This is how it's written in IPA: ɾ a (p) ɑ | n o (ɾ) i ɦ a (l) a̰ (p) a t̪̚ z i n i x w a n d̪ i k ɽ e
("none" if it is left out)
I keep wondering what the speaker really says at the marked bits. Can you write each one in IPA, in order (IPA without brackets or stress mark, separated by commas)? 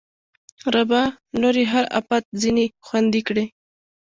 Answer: b, ɾ, ɾ, p